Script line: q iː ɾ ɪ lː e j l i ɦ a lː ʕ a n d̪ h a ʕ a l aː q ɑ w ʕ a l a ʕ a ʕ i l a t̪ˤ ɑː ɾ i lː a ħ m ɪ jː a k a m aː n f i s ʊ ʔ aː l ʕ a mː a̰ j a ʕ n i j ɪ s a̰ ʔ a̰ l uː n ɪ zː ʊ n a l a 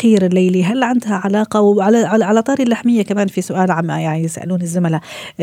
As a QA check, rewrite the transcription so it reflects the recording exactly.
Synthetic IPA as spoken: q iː ɾ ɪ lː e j l i ɦ a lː ʕ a n d̪ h a ʕ a l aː q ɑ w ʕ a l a ʕ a ʕ a l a t̪ˤ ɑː ɾ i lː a ħ m ɪ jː a k a m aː n f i s ʊ ʔ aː l ʕ a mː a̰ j a ʕ n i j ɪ s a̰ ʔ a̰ l uː n ɪ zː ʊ m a l a